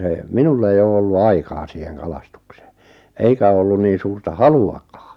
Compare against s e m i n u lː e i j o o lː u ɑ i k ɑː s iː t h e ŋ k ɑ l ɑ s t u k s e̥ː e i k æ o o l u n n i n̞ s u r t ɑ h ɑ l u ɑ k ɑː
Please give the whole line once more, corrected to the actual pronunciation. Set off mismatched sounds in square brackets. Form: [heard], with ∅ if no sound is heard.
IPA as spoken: s e m i n u lː e i j [oː] o lː u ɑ i k ɑː s iː [∅] h e ŋ k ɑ l ɑ s t u k s e̥ː e i k æ o o [lː] u n n [iː] n̞ s [uː] r t ɑ h ɑ l u ɑ k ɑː